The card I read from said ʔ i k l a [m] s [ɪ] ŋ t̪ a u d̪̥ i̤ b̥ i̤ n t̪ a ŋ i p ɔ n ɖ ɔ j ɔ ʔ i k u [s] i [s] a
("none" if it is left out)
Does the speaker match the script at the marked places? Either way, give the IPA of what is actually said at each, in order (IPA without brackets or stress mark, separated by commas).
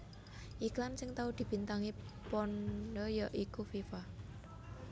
m, ɪ, f, f